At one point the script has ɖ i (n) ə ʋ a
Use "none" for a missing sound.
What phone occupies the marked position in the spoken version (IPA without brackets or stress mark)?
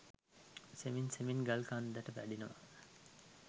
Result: n